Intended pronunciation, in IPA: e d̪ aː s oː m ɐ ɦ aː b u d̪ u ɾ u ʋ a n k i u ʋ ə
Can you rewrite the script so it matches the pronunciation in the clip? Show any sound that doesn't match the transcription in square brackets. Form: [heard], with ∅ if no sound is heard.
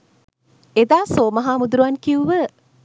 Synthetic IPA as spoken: e d̪ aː s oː m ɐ ɦ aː [m] u d̪ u ɾ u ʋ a n k i u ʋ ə

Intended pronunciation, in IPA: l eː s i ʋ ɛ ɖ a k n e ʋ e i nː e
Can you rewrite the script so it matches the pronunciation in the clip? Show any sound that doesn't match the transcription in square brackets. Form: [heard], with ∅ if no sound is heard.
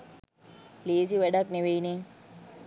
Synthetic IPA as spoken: l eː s i ʋ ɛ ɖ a k n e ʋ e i [n] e

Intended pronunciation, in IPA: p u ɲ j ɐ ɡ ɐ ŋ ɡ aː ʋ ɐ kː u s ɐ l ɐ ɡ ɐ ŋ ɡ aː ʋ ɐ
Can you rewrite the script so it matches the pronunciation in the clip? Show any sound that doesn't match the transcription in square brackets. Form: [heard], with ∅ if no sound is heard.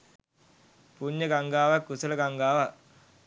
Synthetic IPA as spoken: p u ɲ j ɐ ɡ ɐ ŋ ɡ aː ʋ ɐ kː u s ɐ l ɐ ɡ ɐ ŋ ɡ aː ʋ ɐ

